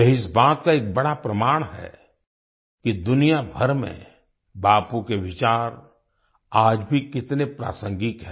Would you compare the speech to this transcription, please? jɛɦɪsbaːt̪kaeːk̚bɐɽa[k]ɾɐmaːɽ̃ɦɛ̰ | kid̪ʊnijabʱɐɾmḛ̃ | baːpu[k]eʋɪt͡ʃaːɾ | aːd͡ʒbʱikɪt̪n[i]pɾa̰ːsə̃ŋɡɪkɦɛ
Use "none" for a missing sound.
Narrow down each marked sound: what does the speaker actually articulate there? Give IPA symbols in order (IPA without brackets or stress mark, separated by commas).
p, k, e